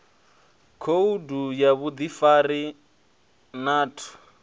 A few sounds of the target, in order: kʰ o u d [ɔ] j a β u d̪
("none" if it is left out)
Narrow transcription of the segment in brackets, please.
u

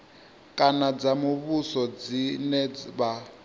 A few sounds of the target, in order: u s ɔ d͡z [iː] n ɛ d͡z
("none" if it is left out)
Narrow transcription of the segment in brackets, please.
i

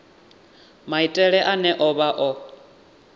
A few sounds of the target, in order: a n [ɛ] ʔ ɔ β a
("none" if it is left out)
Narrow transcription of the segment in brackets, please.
ɛ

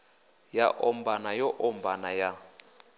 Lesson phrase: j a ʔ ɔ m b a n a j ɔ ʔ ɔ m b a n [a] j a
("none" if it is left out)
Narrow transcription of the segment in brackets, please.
a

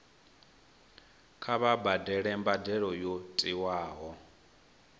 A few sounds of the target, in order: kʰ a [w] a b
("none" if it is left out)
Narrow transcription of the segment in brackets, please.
β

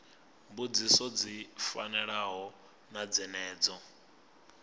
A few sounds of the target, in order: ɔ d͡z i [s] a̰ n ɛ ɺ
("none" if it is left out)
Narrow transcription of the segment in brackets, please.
f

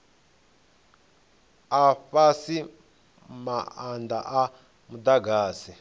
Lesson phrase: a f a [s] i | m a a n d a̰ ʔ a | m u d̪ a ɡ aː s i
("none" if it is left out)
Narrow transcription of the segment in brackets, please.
s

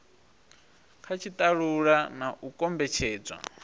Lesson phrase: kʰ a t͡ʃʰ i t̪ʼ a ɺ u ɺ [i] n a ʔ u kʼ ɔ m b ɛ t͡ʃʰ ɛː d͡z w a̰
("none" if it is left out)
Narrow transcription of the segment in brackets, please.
a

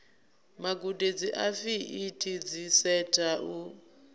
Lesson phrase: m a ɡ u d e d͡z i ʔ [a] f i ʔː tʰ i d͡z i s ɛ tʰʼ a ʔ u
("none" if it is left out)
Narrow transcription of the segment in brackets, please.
a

